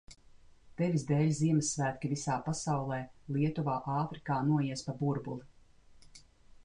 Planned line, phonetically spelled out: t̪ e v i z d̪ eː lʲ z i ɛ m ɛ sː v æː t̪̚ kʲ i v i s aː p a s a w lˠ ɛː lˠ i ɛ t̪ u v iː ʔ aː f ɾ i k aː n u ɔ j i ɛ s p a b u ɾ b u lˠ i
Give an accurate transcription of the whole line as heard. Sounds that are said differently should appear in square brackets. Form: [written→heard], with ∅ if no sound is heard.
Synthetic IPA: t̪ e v i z d̪ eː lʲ z i ɛ m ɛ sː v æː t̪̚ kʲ i v i s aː p a s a w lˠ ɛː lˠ i ɛ t̪ u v [iː→aː] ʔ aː f ɾ i k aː n u ɔ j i ɛ s p a b u ɾ b u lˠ i